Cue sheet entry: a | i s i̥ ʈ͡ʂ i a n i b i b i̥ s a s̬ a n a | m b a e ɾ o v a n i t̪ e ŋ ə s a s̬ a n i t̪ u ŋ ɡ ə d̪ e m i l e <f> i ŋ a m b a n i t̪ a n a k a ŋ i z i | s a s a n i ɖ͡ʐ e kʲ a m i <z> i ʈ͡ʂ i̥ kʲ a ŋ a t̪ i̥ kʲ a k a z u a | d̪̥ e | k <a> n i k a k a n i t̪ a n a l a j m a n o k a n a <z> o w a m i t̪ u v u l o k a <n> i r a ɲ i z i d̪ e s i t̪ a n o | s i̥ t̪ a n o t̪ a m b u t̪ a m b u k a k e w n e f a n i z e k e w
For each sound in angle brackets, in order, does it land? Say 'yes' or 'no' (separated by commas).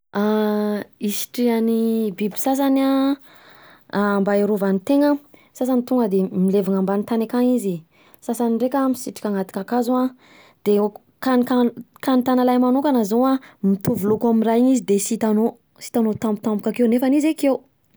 no, no, yes, yes, no